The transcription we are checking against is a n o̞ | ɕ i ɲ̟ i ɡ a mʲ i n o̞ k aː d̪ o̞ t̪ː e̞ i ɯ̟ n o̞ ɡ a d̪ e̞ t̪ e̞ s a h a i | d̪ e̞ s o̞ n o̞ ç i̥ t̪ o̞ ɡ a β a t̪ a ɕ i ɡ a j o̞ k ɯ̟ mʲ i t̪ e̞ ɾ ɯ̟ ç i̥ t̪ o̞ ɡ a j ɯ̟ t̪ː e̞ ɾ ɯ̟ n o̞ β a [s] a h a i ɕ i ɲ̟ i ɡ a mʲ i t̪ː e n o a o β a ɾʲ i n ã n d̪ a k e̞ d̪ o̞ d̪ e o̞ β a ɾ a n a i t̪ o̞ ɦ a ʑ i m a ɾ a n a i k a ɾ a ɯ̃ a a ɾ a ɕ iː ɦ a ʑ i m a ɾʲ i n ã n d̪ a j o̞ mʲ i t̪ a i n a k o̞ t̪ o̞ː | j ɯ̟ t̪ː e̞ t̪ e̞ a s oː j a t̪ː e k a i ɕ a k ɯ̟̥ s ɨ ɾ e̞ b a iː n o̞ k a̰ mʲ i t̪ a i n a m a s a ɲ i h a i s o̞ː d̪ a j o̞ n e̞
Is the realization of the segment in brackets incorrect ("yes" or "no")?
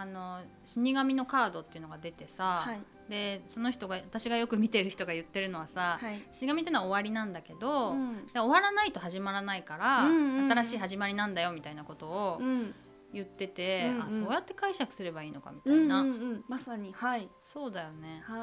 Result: no